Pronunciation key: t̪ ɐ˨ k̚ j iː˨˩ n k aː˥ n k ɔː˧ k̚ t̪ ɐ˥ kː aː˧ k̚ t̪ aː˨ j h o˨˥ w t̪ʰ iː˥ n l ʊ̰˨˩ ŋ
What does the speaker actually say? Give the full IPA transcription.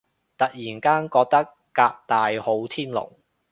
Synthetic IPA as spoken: t̪ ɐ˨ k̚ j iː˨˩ n k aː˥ n k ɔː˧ k̚ t̪ ɐ˥ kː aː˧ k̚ t̪ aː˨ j h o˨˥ w t̪ʰ iː˥ n l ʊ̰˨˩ ŋ

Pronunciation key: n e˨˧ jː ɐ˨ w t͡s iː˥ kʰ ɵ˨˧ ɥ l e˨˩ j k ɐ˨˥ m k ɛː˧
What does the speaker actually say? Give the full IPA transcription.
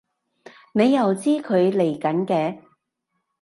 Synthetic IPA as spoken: n e˨˧ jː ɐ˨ w t͡s iː˥ kʰ ɵ˨˧ ɥ l e˨˩ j k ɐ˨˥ n k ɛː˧

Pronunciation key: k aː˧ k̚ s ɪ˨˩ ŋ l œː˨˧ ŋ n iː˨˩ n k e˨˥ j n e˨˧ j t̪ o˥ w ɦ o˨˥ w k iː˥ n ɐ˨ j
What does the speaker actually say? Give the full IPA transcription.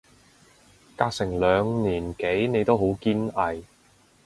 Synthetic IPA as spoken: k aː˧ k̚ s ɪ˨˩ ŋ l œː˨˧ ŋ n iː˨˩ n k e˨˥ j n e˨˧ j t̪ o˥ w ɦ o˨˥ w k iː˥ n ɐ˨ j

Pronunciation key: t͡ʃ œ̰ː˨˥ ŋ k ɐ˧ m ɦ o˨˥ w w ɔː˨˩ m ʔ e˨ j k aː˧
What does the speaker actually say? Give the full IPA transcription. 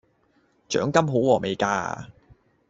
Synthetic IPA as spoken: t͡ʃ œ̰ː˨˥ ŋ k ɐ˥ m ɦ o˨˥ w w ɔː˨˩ m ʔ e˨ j k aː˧

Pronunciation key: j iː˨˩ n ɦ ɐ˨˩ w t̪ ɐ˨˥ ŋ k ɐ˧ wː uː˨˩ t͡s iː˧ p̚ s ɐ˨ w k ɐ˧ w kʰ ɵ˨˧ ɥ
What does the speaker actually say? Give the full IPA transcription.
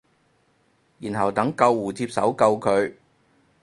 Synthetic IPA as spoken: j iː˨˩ n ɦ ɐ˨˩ w t̪ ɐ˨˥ ŋ k ɐ˧ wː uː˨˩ t͡s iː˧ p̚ s ɐ˨˥ w k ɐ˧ w kʰ ɵ˨˧ ɥ

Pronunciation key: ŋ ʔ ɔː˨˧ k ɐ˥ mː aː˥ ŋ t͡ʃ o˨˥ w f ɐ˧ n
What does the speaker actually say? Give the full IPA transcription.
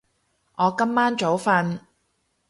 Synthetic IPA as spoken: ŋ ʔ ɔː˨˧ k ɐ˥ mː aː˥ n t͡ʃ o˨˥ w f ɐ˧ n

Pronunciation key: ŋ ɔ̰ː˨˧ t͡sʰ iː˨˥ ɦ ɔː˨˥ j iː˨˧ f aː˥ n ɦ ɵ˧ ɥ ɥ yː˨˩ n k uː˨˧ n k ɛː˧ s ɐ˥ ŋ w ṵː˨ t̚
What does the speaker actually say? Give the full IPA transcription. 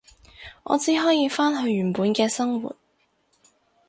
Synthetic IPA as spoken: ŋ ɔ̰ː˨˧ t͡s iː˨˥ ɦ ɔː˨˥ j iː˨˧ f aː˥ n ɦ ɵ˧ ɥ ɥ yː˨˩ n p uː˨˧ n k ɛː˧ s ɐ˥ ŋ w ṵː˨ t̚

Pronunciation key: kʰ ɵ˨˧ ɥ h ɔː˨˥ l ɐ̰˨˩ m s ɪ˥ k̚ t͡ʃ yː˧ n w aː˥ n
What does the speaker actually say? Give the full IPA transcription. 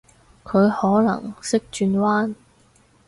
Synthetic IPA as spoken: kʰ ɵ˨˧ ɥ h ɔː˨˥ l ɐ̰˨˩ ŋ s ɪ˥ k̚ t͡ʃ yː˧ n w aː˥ n

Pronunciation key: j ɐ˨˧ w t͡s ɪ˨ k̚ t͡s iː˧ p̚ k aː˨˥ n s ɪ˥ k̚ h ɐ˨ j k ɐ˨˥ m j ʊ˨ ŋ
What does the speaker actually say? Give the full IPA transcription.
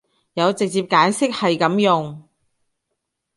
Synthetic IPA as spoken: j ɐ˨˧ w t͡s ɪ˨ k̚ t͡s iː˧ p̚ k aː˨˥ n s ɪ˥ k̚ h ɐ˨ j k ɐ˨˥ m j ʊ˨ ŋ

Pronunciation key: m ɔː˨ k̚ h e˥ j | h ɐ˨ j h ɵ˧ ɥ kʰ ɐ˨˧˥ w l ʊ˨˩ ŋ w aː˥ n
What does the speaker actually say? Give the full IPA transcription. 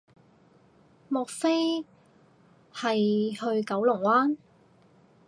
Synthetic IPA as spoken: m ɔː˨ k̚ f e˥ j | h ɐ˨ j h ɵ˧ ɥ k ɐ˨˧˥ w l ʊ˨˩ ŋ w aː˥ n

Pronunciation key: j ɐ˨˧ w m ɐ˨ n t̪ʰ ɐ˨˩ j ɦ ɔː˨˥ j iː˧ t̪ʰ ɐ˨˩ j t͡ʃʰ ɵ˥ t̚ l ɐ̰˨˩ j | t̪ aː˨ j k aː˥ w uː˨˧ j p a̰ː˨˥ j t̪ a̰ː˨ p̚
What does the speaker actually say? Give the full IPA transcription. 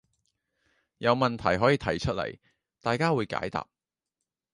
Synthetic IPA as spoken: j ɐ˨˧ w m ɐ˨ n t̪ʰ ɐ˨˩ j ɦ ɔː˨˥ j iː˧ t̪ʰ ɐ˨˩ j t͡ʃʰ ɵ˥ t̚ l ɐ̰˨˩ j | t̪ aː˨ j k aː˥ w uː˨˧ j k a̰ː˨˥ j t̪ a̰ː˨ p̚

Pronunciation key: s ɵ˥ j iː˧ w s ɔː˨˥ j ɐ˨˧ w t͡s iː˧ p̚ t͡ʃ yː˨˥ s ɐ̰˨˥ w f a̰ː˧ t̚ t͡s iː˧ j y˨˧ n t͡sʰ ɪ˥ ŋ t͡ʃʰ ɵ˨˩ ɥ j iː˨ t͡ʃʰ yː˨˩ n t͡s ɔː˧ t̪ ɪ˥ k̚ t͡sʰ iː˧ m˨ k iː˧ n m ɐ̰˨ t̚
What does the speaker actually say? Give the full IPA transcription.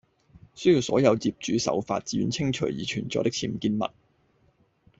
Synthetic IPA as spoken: s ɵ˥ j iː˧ w s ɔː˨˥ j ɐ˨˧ w t͡s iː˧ p̚ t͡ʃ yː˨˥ s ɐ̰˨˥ w f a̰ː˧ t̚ t͡s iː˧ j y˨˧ n t͡sʰ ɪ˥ ŋ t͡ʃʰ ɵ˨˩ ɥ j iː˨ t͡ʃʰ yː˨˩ n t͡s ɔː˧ t̪ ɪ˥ k̚ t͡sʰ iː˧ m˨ k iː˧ n m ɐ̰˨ t̚

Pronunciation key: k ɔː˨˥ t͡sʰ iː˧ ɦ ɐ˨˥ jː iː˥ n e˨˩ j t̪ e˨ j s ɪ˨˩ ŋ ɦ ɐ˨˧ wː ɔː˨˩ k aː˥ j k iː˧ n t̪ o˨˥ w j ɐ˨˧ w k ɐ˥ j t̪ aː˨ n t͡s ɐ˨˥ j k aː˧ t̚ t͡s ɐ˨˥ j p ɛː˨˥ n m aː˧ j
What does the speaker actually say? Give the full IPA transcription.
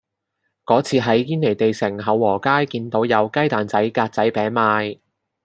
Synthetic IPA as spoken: k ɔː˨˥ t͡sʰ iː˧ ɦ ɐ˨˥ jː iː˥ n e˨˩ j t̪ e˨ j s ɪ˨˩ ŋ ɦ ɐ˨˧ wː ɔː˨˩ k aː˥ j k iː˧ n t̪ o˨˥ w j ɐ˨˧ w k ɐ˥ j t̪ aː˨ n t͡s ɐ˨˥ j k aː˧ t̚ t͡s ɐ˨˥ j p ɛː˨˥ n m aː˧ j

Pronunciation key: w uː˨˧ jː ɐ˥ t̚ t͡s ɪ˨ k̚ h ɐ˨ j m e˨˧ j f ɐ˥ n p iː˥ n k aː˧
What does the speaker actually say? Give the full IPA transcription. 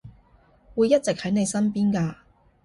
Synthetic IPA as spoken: w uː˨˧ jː ɐ˥ t̚ t͡s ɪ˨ k̚ h ɐ˨˥ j n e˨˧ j s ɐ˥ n p iː˥ n k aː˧

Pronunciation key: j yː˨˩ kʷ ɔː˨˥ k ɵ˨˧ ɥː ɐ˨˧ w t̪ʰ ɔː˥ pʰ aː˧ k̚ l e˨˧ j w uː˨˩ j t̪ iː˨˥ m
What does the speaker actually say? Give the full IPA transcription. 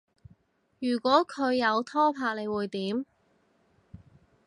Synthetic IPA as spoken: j yː˨˩ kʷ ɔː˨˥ kʰ ɵ˨˧ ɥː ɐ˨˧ w t̪ʰ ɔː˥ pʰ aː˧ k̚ l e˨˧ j w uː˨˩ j t̪ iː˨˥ m

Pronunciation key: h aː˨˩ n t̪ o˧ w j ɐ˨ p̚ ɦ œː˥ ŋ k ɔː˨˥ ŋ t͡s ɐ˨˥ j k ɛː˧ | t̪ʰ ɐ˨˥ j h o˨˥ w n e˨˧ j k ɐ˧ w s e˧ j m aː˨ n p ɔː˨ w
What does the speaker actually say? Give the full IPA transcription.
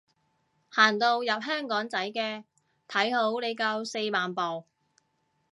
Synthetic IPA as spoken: h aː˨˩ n t̪ o˧ w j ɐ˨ p̚ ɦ œː˥ ŋ k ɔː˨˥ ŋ t͡s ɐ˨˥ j k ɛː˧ | t̪ʰ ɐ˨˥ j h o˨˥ w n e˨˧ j k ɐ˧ w s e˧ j m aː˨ n p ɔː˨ w

